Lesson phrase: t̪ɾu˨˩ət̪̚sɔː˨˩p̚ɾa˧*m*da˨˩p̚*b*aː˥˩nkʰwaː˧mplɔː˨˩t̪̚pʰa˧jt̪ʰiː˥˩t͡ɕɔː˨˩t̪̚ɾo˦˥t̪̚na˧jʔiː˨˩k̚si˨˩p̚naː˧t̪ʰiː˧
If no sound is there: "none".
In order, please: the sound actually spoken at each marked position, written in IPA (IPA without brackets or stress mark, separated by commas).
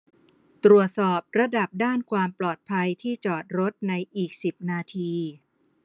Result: none, d